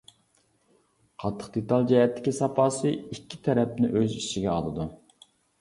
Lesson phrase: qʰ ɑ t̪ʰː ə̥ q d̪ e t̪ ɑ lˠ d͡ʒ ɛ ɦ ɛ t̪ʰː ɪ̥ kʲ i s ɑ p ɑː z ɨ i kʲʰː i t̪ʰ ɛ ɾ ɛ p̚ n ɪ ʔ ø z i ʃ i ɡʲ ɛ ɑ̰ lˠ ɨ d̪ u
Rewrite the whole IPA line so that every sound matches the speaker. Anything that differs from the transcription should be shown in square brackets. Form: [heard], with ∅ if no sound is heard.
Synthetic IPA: qʰ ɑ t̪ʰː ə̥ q d̪ e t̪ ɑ lˠ d͡ʒ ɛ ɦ ɛ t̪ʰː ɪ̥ kʲ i s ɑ p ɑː [s] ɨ i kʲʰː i t̪ʰ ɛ ɾ ɛ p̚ n ɪ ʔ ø z i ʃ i ɡʲ ɛ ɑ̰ lˠ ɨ d̪ u